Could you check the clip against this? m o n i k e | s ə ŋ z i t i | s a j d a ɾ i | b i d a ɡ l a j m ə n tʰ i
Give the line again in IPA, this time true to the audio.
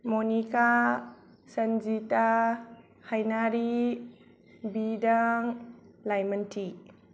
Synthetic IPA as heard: m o n i k a | s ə n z i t a | h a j n a ɾ i | b i d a ŋ l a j m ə n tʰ i

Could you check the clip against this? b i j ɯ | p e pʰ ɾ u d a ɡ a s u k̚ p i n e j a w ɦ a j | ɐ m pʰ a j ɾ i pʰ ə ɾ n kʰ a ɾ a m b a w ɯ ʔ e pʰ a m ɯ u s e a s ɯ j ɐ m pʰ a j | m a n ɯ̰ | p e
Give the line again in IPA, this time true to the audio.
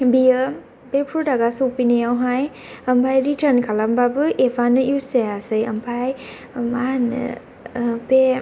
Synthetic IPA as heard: b i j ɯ | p e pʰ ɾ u d a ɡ a s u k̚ p i n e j a w ɦ a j | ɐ m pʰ a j ɾ i tʰ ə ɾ n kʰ a l a m b a b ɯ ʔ e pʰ a n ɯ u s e a s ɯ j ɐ m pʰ a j | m a n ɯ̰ | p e

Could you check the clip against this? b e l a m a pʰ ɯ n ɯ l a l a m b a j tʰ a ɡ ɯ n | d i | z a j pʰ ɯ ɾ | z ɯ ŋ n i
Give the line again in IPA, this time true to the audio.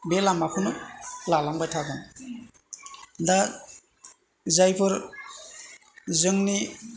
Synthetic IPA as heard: b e l a m a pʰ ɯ n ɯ l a l a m b a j tʰ a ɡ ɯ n | d a | z a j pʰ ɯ ɾ | z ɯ ŋ n i

